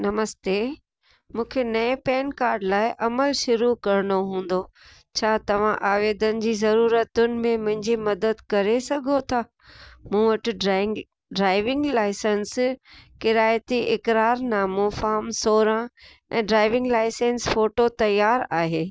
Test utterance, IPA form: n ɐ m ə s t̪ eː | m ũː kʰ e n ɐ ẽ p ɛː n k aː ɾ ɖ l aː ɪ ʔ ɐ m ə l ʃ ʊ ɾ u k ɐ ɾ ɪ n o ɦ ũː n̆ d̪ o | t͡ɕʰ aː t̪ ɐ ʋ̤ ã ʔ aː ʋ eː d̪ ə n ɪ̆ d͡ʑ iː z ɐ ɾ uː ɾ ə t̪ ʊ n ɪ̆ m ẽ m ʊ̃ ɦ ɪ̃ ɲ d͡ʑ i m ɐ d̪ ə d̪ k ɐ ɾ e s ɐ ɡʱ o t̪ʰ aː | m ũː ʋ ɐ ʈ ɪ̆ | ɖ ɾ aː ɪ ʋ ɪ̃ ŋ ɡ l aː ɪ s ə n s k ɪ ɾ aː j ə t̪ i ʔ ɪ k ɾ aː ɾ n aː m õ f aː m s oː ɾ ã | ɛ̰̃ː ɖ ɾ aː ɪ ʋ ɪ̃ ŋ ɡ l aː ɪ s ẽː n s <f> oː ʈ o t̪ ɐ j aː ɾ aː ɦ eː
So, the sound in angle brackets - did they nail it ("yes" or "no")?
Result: yes